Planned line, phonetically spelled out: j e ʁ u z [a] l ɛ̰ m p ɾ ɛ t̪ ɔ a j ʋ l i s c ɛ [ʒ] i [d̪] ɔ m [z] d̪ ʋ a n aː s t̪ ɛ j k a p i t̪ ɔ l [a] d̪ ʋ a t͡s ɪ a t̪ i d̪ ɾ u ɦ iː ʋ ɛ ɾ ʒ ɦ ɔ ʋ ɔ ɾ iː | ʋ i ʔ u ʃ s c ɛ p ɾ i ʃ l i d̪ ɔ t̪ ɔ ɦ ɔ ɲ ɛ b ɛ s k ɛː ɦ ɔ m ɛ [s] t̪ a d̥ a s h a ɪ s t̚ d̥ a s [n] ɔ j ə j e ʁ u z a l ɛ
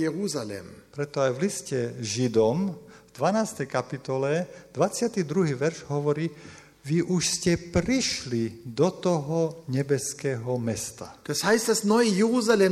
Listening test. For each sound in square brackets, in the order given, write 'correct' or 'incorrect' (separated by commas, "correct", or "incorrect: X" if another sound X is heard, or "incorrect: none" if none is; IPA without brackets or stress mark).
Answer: correct, correct, correct, incorrect: v, incorrect: ɛ, correct, correct